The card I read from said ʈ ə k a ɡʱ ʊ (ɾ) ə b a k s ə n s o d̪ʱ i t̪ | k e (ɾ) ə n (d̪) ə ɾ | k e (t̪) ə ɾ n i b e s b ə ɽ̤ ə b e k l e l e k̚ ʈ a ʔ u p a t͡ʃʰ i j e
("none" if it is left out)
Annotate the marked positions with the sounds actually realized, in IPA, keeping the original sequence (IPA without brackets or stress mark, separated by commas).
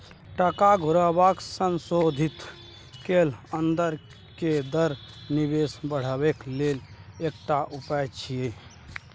ɾ, l, d̪, d̪